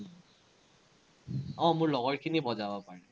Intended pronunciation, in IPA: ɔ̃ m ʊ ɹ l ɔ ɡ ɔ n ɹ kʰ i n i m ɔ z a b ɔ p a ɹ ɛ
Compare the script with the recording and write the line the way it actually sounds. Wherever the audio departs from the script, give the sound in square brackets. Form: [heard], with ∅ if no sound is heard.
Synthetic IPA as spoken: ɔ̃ m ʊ ɹ l ɔ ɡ ɔ [∅] ɹ kʰ i n i [b] ɔ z a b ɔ p a ɹ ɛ